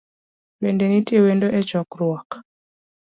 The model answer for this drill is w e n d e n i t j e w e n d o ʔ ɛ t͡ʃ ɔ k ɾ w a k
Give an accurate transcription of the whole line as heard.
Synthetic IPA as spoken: w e n d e n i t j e w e n d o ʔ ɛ t͡ʃ ɔ k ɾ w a k